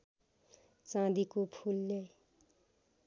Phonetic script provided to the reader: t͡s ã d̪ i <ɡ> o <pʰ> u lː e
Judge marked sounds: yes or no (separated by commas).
no, yes